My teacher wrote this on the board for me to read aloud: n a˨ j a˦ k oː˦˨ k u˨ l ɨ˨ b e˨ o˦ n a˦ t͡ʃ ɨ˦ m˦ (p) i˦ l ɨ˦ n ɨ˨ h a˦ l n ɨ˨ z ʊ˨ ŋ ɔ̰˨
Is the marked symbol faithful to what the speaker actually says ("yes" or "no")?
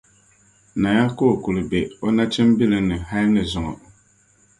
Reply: no